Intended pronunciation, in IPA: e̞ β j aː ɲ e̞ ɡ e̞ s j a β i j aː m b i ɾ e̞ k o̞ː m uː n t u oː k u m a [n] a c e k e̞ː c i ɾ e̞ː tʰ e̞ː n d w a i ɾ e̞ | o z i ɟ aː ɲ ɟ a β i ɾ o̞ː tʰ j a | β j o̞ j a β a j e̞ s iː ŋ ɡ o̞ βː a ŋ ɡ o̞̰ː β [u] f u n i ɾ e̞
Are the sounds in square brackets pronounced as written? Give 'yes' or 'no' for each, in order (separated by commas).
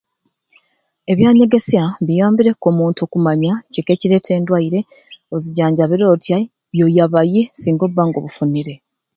no, yes